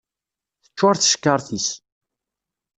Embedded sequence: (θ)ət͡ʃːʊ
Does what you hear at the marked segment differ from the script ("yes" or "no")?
no